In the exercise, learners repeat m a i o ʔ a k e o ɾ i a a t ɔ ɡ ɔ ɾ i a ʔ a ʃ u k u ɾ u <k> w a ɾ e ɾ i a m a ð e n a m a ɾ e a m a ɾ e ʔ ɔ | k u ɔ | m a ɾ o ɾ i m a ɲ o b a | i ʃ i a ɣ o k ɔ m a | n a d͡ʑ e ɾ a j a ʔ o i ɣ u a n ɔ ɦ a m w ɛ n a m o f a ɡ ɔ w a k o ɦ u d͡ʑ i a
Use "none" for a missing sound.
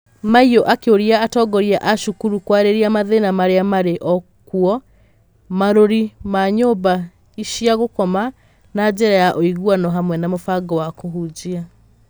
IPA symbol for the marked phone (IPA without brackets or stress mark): k